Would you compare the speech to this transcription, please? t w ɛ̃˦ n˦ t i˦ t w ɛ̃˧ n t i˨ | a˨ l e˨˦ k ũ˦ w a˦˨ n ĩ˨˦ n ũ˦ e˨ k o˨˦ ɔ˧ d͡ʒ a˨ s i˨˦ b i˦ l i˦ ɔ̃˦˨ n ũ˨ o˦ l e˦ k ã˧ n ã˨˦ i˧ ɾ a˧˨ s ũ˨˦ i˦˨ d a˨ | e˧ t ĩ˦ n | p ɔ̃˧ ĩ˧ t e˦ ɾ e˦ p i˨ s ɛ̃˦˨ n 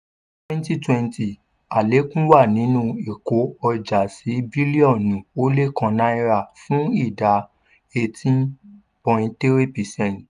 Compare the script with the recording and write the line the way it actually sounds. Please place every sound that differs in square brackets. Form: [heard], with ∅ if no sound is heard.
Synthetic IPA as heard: t w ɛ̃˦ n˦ t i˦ t w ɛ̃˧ n t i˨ | a˨ l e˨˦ k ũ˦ w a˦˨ n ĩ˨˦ n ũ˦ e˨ k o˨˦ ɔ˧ d͡ʒ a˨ s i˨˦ b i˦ l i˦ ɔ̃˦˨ n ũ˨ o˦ l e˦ k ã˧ n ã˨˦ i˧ ɾ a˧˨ [f] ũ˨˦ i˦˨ d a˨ | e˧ t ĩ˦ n | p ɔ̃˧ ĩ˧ t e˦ ɾ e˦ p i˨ s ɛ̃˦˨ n